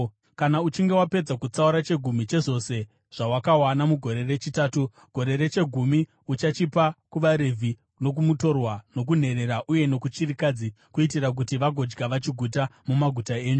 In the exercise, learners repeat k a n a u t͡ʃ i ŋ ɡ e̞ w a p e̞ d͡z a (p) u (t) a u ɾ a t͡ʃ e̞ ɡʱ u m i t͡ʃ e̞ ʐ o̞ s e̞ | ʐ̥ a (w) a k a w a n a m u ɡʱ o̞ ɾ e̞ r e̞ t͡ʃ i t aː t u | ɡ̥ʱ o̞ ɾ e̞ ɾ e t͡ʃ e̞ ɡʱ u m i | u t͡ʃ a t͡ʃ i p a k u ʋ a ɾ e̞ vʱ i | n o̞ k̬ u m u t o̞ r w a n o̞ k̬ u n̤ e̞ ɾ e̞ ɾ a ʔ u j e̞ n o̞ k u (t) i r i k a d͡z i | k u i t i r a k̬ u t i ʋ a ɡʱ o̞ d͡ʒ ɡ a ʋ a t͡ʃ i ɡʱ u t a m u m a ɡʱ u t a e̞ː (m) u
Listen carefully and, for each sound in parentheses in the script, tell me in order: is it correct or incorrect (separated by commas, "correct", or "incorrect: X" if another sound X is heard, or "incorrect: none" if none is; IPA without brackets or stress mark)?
incorrect: k, incorrect: t͡s, correct, incorrect: t͡ʃ, incorrect: ɲ